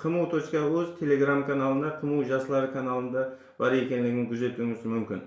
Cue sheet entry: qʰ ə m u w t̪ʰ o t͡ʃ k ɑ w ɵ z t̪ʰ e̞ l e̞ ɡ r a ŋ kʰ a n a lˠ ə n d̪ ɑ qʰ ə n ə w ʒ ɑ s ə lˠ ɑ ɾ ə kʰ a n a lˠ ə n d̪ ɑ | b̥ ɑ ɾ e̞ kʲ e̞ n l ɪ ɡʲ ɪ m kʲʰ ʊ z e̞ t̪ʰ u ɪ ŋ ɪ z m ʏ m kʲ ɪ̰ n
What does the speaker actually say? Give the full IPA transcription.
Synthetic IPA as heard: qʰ ə m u w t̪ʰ o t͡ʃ k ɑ w ɵ z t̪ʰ e̞ l e̞ ɡ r a m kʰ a n a lˠ ə n d̪ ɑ qʰ ə m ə w ʒ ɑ s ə lˠ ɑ ɾ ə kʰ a n a lˠ ə n d̪ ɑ | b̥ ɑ ɾ e̞ kʲ e̞ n l ɪ ɡʲ ɪ ŋ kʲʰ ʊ z e̞ t̪ u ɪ ŋ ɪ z m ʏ m kʲ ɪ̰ n